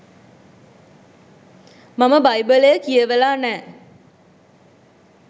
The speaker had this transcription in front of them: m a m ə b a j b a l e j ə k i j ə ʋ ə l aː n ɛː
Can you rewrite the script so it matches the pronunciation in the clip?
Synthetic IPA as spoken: m a m ə b a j b ə l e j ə k i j ə ʋ ə l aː n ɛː